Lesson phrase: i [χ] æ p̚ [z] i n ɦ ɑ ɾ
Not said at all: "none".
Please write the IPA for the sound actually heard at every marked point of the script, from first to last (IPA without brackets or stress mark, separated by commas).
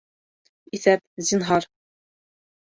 θ, z